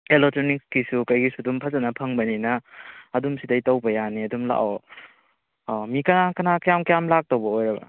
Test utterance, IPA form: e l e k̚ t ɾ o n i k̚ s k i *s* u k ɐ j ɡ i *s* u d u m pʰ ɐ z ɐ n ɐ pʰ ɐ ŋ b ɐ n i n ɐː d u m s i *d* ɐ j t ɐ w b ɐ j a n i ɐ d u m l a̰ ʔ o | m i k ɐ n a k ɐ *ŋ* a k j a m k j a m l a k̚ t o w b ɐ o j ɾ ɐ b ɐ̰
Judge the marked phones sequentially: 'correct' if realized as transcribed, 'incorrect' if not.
correct, correct, correct, incorrect: n

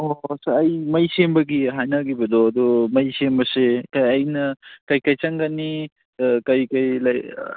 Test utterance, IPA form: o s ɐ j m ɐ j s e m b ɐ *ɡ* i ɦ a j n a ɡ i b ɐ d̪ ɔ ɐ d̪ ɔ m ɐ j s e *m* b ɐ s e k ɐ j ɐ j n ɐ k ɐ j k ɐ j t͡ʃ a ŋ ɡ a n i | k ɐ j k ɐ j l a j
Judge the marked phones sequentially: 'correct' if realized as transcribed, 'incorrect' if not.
correct, correct

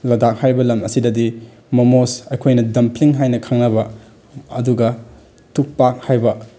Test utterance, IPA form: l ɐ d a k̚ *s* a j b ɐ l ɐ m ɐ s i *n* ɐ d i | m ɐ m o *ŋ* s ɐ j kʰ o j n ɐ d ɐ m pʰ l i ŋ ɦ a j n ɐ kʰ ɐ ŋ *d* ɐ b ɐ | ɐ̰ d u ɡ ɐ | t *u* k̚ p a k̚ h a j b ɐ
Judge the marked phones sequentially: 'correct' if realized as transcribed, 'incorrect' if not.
incorrect: h, incorrect: d, incorrect: none, incorrect: n, correct

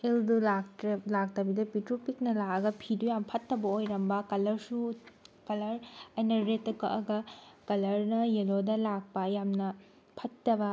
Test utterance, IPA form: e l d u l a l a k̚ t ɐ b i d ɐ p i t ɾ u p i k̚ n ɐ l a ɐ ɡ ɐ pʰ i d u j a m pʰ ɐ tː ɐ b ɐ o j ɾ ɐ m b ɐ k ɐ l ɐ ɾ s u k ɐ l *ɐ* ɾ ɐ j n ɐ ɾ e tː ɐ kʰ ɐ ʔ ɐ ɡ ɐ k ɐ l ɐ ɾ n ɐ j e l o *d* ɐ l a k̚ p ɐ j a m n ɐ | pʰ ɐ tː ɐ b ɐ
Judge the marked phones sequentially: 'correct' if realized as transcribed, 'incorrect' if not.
correct, correct

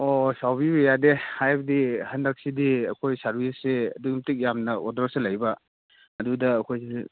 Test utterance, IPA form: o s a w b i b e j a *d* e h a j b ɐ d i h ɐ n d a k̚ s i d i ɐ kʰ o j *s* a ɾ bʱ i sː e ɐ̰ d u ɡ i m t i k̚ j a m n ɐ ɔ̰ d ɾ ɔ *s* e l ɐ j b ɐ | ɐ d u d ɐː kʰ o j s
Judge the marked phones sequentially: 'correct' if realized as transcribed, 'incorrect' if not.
correct, correct, correct

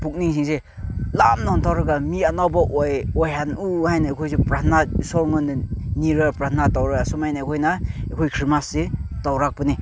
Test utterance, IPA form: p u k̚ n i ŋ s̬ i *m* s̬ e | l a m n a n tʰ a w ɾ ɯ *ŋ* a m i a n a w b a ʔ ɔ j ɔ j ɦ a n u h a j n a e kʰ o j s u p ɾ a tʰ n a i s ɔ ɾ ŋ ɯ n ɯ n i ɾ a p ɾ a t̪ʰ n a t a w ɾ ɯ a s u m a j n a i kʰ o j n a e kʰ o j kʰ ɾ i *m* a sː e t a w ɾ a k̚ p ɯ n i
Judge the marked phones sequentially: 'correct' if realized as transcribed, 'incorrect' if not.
incorrect: ŋ, incorrect: ɡ, correct

